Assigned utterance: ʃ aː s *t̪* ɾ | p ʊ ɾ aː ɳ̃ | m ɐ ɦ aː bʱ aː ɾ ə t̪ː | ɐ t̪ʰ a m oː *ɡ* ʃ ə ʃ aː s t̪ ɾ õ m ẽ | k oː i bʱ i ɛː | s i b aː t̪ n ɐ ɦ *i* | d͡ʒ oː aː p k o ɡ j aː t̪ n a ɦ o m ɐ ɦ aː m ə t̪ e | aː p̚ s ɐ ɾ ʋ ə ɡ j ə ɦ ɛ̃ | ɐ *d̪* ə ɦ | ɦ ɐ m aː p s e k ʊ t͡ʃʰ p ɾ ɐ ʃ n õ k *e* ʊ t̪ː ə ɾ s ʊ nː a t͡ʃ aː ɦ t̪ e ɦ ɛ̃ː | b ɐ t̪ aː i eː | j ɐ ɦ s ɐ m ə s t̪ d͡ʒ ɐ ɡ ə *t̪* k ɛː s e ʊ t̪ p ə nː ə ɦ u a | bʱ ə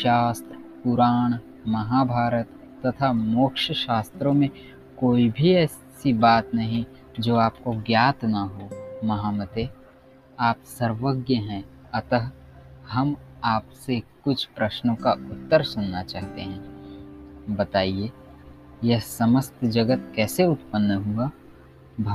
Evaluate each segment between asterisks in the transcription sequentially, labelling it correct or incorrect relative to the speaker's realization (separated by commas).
correct, incorrect, incorrect, incorrect, incorrect, correct